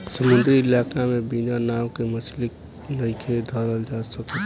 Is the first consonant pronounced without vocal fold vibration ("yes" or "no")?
yes